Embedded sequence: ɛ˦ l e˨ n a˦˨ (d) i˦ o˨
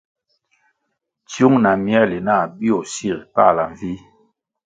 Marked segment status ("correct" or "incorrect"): incorrect